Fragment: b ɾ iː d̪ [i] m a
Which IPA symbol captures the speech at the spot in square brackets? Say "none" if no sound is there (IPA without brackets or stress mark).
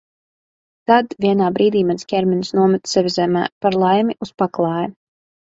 iː